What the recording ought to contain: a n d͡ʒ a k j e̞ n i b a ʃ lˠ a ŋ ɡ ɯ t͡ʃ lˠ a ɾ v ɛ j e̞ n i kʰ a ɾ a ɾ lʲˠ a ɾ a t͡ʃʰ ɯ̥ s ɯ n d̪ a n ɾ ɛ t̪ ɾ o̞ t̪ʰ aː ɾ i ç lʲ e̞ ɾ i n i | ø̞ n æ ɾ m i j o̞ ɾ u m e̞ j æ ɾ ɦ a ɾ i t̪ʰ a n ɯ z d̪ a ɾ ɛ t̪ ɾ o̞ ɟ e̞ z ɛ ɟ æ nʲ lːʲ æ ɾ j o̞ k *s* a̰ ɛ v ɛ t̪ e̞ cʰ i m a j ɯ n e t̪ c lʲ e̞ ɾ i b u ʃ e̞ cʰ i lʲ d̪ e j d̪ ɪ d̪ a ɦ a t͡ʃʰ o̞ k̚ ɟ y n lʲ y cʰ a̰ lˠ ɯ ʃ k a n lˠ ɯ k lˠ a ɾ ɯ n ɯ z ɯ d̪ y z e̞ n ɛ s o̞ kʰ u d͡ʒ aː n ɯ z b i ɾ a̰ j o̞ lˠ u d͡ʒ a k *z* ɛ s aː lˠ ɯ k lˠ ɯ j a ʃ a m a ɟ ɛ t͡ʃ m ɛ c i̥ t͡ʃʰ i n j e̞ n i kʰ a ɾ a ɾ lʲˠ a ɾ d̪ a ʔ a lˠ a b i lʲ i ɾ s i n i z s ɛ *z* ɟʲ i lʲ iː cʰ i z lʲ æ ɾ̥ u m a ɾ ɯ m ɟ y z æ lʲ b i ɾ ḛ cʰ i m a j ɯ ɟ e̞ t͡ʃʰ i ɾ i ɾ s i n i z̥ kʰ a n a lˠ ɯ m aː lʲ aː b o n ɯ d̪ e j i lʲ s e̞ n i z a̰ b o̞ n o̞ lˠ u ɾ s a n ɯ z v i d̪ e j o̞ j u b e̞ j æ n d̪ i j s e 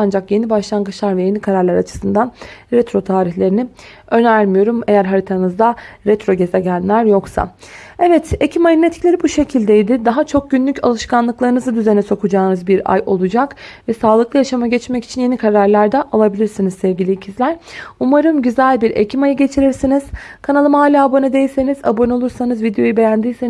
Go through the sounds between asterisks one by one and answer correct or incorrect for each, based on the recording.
correct, incorrect, incorrect

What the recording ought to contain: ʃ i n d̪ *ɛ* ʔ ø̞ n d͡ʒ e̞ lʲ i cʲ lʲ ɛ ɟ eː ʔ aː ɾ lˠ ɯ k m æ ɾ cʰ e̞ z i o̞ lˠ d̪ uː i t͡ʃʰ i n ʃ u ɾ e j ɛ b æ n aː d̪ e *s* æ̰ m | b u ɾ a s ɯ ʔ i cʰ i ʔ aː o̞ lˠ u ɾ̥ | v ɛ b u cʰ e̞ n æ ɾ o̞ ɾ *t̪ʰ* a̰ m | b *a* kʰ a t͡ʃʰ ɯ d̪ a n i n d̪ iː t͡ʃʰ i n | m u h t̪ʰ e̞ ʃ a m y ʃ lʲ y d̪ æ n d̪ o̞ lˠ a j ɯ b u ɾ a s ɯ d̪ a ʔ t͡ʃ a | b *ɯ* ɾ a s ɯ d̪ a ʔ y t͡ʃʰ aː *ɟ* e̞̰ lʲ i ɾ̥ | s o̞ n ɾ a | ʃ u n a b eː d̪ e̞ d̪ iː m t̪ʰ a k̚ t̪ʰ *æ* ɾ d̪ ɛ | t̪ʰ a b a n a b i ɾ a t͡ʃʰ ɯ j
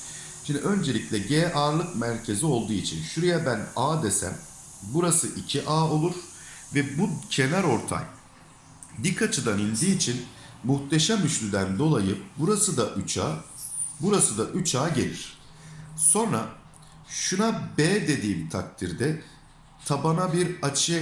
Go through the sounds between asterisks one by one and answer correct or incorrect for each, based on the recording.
incorrect, correct, correct, incorrect, incorrect, correct, incorrect

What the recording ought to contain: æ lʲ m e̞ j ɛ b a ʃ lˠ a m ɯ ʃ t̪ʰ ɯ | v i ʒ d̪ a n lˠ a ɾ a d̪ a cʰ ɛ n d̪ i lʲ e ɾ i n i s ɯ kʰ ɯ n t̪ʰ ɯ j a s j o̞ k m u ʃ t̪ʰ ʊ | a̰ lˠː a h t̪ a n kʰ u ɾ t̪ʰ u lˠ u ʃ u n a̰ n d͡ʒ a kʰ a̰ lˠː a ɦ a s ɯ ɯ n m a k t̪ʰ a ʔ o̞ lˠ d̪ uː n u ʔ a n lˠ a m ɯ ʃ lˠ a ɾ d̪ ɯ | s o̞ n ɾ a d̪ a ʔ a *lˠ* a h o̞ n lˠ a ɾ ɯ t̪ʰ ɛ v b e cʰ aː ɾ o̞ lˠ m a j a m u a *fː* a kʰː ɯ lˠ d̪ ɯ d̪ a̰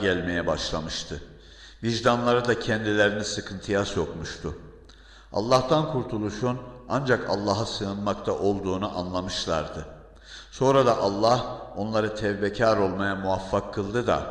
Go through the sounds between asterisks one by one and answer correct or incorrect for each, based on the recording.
incorrect, correct

